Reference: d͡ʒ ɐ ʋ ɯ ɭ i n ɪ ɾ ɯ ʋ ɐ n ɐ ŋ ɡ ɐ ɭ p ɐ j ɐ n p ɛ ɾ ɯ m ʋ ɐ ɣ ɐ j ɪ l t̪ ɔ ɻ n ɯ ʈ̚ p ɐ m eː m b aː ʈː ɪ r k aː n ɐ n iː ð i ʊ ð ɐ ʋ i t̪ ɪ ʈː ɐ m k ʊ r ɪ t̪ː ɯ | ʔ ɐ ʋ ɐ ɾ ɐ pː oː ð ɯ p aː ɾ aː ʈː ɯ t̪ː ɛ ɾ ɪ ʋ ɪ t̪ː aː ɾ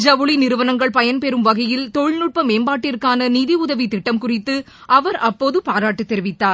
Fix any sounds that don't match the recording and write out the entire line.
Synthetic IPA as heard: d͡ʒ ɐ ʋ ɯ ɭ i n ɪ ɾ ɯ ʋ ɐ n ɐ ŋ ɡ ɐ ɭ p ɐ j ɐ n p ɛ ɾ ɯ m ʋ ɐ ɣ ɐ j ɪ l t̪ ɔ ɻ n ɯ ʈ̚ p ɐ m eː m b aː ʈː ɪ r k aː n ɐ n iː ð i ʊ ð ɐ ʋ i t̪ ɪ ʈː ɐ m k ʊ r ɪ t̪ː ɯ | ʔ ɐ ʋ ɐ ɾ ɐ pː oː ð ɯ p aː ɾ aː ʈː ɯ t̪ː ɛ ɾ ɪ ʋ ɪ t̪ː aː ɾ

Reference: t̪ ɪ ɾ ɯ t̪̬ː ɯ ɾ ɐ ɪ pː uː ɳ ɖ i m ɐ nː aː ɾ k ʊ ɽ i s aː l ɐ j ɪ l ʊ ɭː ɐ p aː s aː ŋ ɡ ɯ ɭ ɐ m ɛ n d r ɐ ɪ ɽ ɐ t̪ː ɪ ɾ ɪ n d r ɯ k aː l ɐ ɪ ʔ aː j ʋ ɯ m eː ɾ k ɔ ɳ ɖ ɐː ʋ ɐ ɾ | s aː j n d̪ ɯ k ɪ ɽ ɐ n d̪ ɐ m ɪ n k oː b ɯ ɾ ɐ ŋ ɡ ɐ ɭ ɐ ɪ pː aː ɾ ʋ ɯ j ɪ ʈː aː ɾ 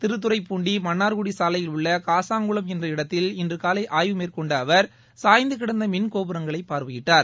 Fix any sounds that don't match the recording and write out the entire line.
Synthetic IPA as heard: t̪ ɪ ɾ ɯ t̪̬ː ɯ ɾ ɐ ɪ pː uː ɳ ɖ i m ɐ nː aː ɾ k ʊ ɽ i s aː l ɐ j ɪ l ʊ ɭː ɐ k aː s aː ŋ ɡ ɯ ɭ ɐ m ɛ n d r ɐ ɪ ɽ ɐ t̪ː ɪ l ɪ n d r ɯ k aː l ɐ ɪ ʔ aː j ʋ ɯ m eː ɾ k ɔ ɳ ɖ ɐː ʋ ɐ ɾ | s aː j n d̪ ɯ k ɪ ɽ ɐ n d̪ ɐ m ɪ n k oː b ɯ ɾ ɐ ŋ ɡ ɐ ɭ ɐ ɪ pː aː ɾ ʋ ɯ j ɪ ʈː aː ɾ

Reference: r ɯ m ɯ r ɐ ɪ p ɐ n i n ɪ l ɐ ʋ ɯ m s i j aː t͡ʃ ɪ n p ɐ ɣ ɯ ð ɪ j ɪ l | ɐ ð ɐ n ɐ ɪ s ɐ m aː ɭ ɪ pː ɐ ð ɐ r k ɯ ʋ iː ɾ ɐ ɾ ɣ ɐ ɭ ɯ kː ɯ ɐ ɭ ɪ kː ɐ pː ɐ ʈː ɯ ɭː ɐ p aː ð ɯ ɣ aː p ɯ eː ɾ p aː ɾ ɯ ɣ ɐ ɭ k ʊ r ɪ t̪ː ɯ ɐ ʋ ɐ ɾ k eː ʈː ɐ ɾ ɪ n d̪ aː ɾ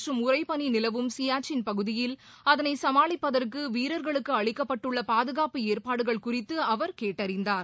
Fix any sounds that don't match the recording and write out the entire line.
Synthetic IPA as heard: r ɯ m ʊ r ɐ ɪ p ɐ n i n ɪ l ɐ ʋ ɯ m s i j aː t͡ʃ ɪ n p ɐ ɣ ɯ ð ɪ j ɪ l | ɐ ð ɐ n ɐ ɪ s ɐ m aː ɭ ɪ pː ɐ ð ɐ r k ɯ ʋ iː ɾ ɐ ɾ ɣ ɐ ɭ ɯ kː ɯ ɐ ɭ ɪ kː ɐ pː ɐ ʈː ɯ ɭː ɐ p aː ð ɯ ɣ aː p ɯ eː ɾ p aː ɽ ɯ ɣ ɐ ɭ k ʊ r ɪ t̪ː ɯ ɐ ʋ ɐ ɾ k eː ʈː ɐ ɾ ɪ n d̪ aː ɾ

